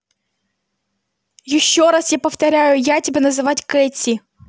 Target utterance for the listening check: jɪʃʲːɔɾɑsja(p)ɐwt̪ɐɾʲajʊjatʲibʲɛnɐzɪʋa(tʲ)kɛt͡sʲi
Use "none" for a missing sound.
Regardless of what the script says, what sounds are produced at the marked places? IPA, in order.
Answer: p, tʲ

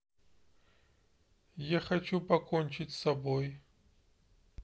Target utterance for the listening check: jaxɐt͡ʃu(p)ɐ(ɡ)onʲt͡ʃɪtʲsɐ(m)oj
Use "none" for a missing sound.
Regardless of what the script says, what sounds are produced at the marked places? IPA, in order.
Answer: p, k, b

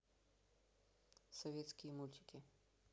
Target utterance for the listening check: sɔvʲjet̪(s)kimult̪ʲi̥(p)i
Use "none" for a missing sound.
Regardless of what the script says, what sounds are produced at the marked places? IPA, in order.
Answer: s, k

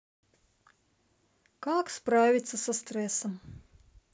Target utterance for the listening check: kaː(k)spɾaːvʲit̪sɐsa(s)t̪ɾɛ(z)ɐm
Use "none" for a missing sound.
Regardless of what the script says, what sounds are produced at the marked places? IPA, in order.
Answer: k, s, s

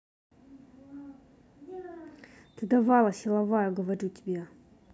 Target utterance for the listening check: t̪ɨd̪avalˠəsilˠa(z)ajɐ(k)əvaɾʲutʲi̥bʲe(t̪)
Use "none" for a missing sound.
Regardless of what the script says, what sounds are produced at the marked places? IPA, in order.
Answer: v, ɡ, none

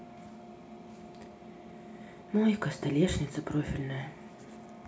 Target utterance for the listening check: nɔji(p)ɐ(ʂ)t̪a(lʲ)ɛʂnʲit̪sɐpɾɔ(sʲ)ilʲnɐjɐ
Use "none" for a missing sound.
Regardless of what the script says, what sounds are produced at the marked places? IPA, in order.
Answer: k, s, lʲ, fʲ

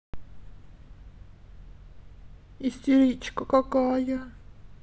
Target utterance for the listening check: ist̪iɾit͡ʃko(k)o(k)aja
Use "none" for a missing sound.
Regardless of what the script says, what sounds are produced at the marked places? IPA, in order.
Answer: k, k

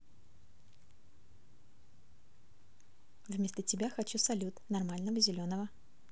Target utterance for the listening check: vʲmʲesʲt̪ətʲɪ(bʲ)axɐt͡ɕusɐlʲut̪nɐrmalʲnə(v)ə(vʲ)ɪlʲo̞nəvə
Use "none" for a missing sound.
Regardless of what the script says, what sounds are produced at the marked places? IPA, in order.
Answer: bʲ, v, zʲ

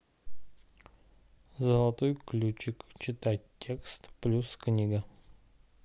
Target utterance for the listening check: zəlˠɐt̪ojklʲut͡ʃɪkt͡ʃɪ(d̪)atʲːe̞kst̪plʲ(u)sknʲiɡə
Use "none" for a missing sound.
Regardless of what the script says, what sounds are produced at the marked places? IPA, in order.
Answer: t̪, u

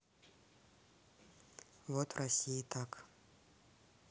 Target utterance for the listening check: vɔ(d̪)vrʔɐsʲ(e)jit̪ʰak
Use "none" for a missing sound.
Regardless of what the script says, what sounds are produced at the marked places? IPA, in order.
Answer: t̪, i

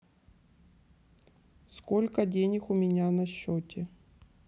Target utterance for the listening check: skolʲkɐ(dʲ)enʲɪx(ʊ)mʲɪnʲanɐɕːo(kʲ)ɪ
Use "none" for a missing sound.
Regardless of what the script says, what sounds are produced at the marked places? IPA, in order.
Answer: dʲ, ʊ, tʲ

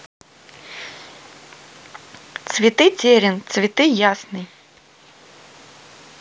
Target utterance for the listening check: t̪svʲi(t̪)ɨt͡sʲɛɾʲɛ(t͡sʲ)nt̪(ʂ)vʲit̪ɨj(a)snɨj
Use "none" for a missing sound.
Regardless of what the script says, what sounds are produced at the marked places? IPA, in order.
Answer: t̪, none, s, a

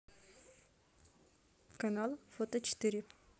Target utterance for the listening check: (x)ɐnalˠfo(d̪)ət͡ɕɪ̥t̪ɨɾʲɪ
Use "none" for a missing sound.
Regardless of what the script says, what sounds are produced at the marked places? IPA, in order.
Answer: k, t̪

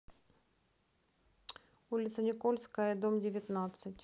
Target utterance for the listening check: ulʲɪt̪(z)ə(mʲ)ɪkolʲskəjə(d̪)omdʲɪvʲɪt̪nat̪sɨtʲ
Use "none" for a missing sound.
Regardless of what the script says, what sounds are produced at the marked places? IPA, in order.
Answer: s, nʲ, d̪

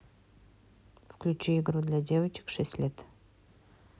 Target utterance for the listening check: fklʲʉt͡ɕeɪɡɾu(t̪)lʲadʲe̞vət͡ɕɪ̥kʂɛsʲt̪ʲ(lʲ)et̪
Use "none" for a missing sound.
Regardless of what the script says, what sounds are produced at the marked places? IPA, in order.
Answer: d̪, lʲ

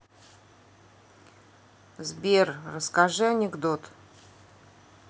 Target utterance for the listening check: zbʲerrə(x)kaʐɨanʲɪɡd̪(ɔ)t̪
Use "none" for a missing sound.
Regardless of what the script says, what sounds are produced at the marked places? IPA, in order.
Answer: s, o

